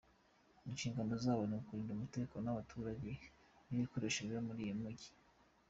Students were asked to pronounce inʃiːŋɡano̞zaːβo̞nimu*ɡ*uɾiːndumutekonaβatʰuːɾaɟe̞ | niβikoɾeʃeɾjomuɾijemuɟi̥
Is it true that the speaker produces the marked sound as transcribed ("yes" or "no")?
no